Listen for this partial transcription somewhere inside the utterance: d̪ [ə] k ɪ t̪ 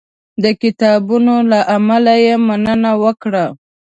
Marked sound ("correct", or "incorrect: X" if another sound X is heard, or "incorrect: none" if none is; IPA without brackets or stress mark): correct